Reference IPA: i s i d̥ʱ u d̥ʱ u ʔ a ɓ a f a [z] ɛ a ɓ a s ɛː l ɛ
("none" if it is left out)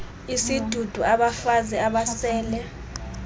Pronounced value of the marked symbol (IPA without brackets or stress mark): z